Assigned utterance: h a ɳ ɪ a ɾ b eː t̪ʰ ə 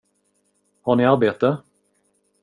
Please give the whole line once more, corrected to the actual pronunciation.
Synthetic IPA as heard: h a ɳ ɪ a ɾ b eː t̪ ə

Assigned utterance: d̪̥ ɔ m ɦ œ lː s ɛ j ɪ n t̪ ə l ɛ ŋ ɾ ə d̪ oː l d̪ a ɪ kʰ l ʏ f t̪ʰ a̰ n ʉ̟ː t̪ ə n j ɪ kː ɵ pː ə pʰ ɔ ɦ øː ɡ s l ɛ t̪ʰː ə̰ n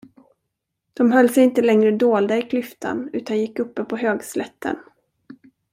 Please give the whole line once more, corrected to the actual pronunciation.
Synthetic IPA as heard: d̪̥ ɔ m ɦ œ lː s ɛ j ɪ n t̪ ə l ɛ ŋ ɾ ə d̪ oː l d̪ a ɪ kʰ l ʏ f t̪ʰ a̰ n ʉ̟ː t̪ a n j ɪ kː ɵ pː ə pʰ ɔ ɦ øː ɡ s l ɛ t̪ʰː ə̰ n

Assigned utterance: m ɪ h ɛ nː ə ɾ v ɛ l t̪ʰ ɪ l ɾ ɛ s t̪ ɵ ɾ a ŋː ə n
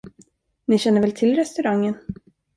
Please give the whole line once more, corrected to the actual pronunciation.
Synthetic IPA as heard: n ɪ ɕ ɛ nː ə ɾ v ɛ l t̪ʰ ɪ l ɾ ɛ s t̪ ɵ ɾ a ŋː ə n

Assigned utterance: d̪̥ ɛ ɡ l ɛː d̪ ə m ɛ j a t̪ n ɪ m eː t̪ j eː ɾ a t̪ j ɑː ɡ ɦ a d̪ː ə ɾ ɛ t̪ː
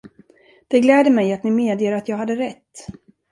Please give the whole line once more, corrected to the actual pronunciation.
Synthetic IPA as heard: d̪̥ ɛ ɡ l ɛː d̪ ə m ɛ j a t̪ n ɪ m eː d̪ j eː ɾ a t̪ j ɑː ɡ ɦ a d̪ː ə ɾ ɛ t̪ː

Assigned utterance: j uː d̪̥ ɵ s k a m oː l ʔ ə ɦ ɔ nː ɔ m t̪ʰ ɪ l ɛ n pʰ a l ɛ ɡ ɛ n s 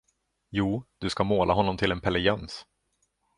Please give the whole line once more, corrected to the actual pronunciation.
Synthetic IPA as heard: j uː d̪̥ ɵ s k a m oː l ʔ a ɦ ɔ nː ɔ m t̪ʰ ɪ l ɛ n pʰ ɛ l ɛ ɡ ɛ n s

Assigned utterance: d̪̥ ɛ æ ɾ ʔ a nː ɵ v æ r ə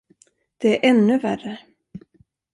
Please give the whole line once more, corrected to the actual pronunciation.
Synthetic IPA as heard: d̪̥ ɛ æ ɾ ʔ ɛ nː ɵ v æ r ə

